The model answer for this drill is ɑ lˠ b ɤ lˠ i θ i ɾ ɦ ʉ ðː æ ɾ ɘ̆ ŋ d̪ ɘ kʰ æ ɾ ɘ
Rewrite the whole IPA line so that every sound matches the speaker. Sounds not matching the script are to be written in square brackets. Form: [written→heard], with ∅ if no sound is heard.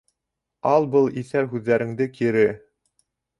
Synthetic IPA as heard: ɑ lˠ b ɤ lˠ i θ [i→æ] ɾ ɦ ʉ ðː æ ɾ ɘ̆ ŋ d̪ ɘ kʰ [æ→i] ɾ ɘ